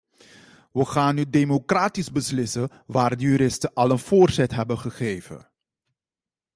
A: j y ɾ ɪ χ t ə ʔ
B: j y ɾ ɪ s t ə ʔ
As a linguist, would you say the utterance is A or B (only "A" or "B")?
B